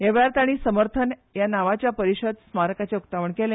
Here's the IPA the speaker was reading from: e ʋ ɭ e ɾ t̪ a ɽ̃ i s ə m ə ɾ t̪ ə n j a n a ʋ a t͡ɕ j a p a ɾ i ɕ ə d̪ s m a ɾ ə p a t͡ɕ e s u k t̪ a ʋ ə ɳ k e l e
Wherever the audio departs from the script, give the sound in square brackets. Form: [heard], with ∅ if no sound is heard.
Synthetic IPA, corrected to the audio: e ʋ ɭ [a] ɾ t̪ a ɽ̃ i s ə m ə ɾ [t̪ʰ] ə n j a n a ʋ a t͡ɕ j a p [ə] ɾ i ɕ ə d̪ s m a ɾ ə [k] a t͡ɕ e [∅] u k t̪ a ʋ ə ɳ k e l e